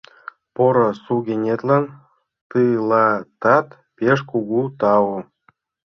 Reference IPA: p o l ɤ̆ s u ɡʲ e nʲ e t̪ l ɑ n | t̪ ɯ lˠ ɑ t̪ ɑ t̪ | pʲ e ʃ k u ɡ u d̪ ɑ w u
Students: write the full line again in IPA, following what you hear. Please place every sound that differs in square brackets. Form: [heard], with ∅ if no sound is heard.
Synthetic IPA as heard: p o [ɾ] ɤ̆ s u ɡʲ e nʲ e t̪ l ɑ n | t̪ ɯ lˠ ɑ t̪ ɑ t̪ | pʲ e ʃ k u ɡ u [t̪] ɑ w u